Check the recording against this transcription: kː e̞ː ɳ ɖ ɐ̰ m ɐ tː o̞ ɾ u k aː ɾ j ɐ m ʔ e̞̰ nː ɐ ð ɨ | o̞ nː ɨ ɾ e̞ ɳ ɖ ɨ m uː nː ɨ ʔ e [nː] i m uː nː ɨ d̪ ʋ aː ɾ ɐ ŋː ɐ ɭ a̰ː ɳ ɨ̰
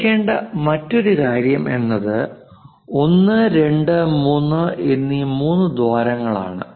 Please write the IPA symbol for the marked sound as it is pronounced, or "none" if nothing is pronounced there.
nː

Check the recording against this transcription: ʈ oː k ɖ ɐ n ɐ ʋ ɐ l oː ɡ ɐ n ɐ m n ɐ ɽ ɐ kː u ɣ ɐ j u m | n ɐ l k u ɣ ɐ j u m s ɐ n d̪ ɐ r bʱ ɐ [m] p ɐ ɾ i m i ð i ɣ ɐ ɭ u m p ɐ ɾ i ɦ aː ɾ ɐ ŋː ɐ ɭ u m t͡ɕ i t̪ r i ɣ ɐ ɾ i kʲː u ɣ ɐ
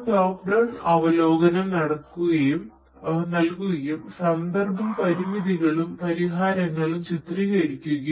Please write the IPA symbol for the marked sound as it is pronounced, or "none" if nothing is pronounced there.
m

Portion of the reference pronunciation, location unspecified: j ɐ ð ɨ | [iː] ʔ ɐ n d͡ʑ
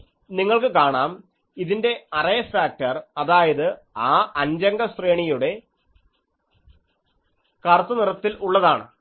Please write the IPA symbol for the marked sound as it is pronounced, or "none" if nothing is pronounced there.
aː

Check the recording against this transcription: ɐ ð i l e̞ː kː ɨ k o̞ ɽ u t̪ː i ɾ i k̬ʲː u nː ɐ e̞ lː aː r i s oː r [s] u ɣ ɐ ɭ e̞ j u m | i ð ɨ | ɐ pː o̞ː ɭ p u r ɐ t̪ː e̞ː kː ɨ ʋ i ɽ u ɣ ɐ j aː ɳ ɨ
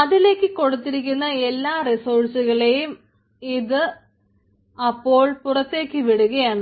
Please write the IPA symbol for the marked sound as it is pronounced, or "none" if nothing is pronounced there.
s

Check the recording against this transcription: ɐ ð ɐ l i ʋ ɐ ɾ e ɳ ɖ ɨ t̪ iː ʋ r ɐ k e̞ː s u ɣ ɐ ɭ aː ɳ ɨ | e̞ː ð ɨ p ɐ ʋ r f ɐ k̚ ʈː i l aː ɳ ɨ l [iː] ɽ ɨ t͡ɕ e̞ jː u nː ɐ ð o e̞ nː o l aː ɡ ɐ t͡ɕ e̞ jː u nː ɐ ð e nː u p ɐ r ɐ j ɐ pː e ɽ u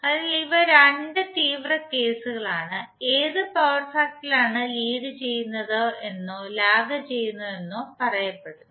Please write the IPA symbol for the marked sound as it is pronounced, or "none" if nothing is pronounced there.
iː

